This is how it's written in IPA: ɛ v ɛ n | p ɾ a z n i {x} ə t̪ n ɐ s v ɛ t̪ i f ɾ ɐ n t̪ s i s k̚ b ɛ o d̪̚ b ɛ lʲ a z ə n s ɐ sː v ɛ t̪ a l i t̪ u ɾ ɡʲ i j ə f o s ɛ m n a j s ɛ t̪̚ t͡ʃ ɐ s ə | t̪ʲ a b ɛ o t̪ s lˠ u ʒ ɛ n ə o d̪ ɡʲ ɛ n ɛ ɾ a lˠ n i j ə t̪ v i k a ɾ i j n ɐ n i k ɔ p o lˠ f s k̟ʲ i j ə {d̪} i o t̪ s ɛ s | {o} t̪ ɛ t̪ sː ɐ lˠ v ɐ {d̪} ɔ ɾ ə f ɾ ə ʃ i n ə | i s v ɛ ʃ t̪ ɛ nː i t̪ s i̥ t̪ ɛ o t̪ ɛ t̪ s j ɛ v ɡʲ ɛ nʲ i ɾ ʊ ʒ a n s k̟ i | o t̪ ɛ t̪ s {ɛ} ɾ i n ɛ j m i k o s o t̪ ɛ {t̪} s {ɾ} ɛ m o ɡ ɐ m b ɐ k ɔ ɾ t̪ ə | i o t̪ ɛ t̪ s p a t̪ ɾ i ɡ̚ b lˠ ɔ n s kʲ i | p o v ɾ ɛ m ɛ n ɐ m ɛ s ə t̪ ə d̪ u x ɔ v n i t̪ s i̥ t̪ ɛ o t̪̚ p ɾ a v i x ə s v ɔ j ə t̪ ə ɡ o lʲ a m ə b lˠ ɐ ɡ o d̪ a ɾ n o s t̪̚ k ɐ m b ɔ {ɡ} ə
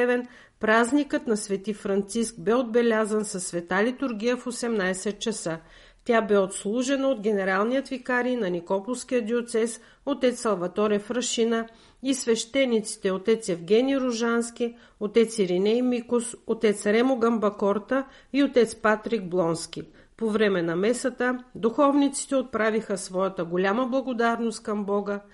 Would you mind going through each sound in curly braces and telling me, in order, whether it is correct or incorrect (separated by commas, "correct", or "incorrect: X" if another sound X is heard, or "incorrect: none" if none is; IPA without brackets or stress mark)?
incorrect: k, correct, correct, incorrect: t̪, incorrect: i, correct, correct, correct